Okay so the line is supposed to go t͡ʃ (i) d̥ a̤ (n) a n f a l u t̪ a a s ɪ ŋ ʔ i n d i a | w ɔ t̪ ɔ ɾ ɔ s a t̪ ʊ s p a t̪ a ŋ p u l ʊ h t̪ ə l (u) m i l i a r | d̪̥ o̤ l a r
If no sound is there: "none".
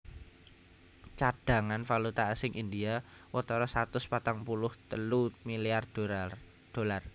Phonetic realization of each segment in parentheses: a, ŋ, u

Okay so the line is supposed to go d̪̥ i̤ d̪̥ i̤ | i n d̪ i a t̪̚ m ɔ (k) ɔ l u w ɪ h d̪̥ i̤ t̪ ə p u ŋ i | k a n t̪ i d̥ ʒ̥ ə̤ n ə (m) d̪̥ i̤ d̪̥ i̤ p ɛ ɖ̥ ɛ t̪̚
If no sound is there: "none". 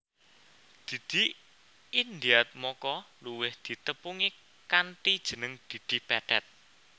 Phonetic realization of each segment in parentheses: k, ŋ

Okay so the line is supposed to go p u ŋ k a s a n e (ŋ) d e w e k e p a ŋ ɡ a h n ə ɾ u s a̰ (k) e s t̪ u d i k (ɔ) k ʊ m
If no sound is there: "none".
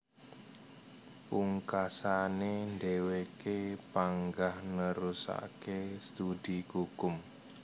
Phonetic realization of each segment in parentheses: n, k, u

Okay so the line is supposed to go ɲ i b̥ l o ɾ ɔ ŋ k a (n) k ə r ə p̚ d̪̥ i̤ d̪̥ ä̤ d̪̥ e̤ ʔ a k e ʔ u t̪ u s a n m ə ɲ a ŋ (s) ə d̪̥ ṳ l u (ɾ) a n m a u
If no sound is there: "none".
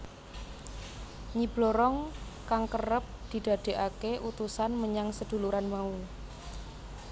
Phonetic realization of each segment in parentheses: ŋ, s, ɾ

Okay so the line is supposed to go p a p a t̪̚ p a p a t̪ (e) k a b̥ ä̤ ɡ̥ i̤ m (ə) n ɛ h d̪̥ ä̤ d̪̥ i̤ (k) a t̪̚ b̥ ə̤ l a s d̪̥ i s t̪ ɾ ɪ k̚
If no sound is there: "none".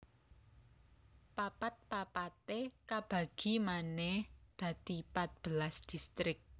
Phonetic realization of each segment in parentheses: e, a, p

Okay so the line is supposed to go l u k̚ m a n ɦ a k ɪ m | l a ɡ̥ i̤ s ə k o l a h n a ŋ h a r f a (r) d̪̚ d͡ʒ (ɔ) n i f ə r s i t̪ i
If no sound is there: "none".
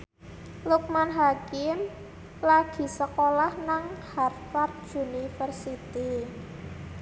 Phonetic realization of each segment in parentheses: r, u

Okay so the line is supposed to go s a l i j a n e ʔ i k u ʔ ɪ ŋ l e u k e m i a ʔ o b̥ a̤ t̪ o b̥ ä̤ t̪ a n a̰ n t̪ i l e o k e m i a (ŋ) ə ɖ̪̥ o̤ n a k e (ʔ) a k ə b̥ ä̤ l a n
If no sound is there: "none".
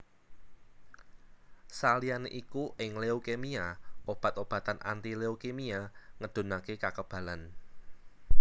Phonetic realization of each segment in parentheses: ŋ, k

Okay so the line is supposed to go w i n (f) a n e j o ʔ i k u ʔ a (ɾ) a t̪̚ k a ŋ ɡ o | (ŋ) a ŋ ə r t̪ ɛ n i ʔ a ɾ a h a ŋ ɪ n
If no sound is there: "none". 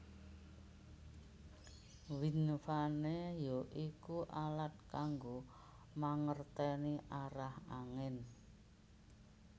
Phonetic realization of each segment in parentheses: f, l, m

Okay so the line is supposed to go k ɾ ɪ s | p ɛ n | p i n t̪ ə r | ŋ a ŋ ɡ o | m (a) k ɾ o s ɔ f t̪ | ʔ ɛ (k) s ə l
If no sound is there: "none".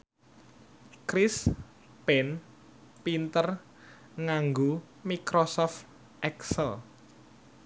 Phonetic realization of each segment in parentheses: i, k

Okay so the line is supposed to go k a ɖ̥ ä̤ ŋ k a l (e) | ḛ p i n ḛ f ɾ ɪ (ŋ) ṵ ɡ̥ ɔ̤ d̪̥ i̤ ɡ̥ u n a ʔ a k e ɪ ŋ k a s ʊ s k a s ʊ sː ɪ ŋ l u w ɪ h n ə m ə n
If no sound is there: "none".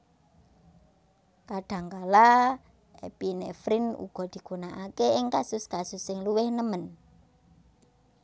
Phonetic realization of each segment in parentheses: a, n

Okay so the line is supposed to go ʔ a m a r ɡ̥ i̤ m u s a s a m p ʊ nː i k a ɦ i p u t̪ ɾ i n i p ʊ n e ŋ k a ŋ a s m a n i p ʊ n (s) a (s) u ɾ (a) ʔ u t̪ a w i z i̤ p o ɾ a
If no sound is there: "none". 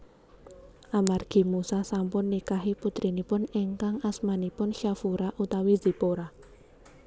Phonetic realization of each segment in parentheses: ʃ, f, a

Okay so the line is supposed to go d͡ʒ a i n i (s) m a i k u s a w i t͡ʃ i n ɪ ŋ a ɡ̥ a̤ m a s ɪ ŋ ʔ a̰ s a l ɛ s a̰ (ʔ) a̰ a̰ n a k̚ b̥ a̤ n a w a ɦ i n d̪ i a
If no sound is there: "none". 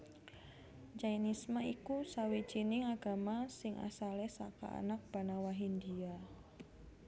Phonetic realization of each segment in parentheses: s, k

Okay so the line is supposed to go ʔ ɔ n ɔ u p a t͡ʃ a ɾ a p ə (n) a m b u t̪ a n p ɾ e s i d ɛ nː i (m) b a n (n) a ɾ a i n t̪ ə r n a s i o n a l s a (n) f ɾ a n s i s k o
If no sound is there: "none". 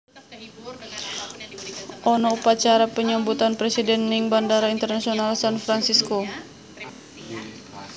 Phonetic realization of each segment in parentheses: ɲ, ŋ, d, n

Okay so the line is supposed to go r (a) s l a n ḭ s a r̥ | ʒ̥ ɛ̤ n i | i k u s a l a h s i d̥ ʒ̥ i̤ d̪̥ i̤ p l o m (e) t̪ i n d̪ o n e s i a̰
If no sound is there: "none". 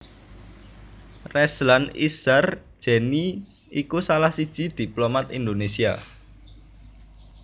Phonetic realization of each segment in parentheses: ɛ, a

